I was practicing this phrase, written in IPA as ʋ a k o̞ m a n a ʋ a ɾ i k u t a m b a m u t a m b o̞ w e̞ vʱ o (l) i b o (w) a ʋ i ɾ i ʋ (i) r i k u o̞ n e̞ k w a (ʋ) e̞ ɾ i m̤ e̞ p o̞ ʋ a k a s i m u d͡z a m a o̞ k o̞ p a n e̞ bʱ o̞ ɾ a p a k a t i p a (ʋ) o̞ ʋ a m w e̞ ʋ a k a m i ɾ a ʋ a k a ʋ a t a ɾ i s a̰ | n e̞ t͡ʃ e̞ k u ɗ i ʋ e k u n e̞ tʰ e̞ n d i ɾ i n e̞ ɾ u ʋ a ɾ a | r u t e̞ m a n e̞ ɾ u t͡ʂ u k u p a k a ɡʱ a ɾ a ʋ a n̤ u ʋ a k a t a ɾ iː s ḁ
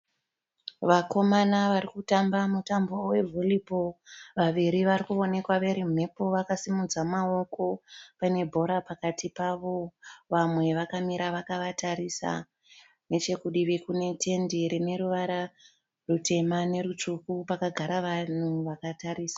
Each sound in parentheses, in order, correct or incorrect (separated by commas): correct, incorrect, incorrect, correct, correct